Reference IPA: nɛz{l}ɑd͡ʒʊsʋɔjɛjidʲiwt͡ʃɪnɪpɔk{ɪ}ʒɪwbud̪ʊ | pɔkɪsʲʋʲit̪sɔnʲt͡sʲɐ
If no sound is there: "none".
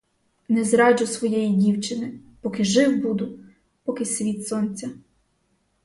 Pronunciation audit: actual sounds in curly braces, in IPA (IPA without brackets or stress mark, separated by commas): ɾ, ɪ